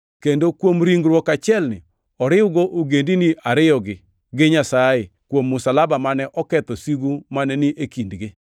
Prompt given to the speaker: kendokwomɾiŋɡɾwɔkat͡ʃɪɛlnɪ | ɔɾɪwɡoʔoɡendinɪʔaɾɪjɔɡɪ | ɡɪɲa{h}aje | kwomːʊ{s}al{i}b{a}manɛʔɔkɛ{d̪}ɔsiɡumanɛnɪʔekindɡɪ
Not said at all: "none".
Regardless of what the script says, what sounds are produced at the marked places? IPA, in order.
s, s, a, a, t̪

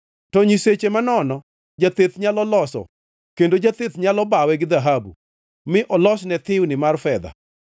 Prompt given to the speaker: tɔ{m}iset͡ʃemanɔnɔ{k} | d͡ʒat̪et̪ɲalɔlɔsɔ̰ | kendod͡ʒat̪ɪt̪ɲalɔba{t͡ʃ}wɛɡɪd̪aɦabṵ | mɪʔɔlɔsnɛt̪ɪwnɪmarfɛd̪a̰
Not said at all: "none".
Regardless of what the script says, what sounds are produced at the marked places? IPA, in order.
ɲ, none, none

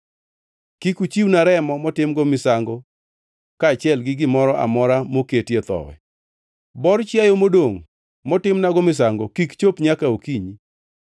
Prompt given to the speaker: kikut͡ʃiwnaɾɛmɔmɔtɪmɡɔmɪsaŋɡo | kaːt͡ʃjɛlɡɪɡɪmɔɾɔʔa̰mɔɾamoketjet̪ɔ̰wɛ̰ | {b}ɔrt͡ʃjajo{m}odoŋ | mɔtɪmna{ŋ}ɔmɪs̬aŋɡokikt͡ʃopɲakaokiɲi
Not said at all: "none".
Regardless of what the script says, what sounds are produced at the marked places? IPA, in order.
b, m, ɡ

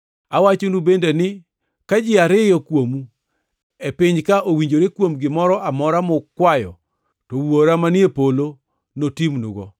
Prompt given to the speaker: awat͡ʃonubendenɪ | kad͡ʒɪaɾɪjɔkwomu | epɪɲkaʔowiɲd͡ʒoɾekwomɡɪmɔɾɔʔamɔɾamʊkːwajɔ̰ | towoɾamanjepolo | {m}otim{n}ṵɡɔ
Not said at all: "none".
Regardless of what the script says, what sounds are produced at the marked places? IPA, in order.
n, n

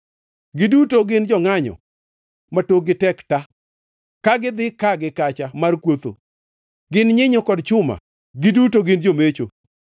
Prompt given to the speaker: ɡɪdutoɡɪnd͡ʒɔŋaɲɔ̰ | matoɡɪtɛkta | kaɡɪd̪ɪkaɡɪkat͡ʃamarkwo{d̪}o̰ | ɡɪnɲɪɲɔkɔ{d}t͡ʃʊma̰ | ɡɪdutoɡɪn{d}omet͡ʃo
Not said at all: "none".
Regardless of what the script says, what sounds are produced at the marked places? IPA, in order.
t̪, d, d͡ʒ

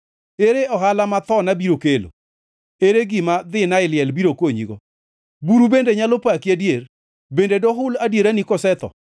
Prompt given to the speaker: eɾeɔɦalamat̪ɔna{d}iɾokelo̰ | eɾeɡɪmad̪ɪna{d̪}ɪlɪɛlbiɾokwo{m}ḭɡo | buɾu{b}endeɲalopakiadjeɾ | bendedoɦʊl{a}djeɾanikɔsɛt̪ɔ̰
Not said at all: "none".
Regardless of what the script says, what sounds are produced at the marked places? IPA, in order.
b, none, ɲ, b, a

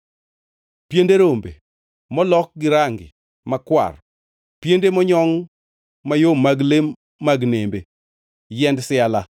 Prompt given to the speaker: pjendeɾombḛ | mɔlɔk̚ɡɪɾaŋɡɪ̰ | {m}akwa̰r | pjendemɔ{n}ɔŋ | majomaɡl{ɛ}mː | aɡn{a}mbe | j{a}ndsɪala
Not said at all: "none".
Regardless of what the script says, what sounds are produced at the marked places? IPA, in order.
m, ɲ, e, e, ɛ

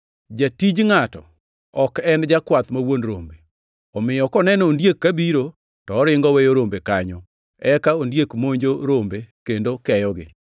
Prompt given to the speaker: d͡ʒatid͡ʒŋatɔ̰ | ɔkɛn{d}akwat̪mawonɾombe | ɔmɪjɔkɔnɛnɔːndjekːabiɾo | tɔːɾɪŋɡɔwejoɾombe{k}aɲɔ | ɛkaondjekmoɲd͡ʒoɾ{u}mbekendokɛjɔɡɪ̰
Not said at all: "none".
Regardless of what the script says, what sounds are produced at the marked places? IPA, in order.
d͡ʒ, k, o

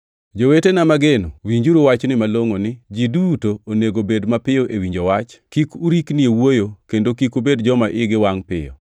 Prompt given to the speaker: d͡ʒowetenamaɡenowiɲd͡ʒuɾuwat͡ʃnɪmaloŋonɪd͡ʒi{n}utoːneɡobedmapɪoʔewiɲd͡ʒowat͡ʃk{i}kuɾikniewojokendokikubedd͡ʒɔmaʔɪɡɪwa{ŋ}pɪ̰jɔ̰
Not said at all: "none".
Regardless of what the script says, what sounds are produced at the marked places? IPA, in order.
d, i, ŋ

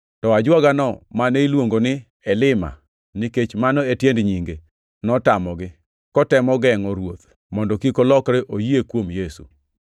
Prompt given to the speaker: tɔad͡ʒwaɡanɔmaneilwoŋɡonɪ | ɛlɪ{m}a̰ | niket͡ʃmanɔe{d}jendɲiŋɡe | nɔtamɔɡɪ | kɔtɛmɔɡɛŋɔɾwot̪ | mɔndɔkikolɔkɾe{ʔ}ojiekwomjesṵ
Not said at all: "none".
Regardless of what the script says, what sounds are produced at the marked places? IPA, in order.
m, t, ʔ

